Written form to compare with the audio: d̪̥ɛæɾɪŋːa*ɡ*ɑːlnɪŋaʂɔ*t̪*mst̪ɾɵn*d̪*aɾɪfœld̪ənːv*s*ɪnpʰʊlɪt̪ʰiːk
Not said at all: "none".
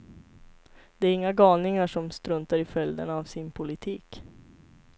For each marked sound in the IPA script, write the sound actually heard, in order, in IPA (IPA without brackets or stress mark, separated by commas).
ɡ, none, t̪, s